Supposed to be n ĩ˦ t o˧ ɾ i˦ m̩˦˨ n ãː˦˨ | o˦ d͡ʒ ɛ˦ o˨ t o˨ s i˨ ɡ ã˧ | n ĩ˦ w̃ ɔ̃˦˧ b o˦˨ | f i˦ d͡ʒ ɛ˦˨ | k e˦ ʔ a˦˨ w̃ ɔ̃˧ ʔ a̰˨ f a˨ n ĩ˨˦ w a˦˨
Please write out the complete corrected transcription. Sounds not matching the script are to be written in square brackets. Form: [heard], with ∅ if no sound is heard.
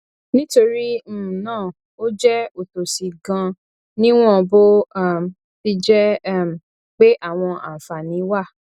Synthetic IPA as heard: n ĩ˦ t o˧ ɾ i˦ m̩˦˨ n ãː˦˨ | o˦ d͡ʒ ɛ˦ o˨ t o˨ s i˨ ɡ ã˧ | n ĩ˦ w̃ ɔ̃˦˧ b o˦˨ | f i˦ d͡ʒ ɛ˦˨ | [k͡p] e˦ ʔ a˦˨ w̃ ɔ̃˧ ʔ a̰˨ f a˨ n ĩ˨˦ w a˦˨